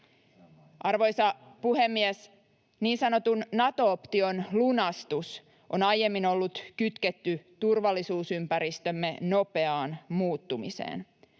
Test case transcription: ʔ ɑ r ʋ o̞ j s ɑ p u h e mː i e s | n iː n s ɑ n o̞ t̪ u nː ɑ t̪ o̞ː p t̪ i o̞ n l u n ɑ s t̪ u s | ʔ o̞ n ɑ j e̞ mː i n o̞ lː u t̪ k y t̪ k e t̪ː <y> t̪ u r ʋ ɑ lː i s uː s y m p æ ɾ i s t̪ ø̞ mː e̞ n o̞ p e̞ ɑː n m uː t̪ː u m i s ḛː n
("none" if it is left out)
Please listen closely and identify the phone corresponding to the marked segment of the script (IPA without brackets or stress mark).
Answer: y